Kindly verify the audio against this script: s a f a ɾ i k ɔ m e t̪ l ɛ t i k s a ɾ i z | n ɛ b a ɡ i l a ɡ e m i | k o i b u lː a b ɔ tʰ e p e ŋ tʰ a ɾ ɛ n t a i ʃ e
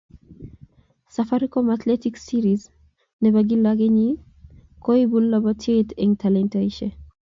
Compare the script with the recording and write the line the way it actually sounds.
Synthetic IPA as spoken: s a f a ɾ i k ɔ m a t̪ l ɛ t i k s i ɾ i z | n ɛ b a ɡ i l a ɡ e ɲ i | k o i b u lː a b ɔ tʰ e t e ŋ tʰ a l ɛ n t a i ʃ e

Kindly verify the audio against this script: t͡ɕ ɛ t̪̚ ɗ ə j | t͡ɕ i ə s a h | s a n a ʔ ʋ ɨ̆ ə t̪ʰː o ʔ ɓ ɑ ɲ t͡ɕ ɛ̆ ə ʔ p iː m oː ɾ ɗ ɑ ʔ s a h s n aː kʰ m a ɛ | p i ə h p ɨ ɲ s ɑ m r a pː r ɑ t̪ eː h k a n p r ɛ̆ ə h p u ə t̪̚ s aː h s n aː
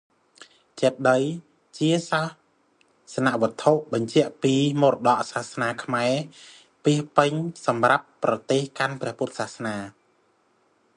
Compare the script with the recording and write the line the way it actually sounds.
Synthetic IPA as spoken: t͡ɕ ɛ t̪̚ ɗ ə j | t͡ɕ i ə s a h | s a n a ʔ ʋ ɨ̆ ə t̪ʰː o ʔ ɓ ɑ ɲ t͡ɕ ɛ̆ ə ʔ p iː m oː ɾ ɗ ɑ ʔ s a h s n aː kʰ m a ɛ | p i ə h p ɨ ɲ s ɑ m r a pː r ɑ t̪ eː h k a n p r ɛ̆ ə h p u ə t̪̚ s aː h s n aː

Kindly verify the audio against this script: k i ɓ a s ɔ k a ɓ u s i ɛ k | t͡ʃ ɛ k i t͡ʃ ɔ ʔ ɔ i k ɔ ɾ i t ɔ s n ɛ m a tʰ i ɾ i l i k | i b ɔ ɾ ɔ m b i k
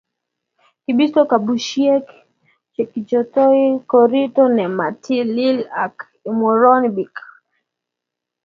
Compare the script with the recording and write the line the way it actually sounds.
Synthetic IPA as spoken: k i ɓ i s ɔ k a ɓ u ʃ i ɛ k | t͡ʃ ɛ k i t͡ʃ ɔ t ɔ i k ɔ ɾ i t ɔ n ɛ m a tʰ i l i l a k | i m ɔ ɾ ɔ n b i k

